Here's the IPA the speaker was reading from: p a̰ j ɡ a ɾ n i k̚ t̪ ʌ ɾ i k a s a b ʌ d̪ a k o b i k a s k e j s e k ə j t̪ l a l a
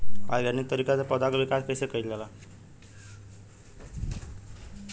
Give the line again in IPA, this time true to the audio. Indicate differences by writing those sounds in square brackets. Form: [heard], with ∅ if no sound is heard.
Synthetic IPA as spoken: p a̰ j ɡ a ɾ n i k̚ t̪ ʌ ɾ i k a [t͡s] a [p] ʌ d̪ a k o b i k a s k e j s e k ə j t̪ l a l a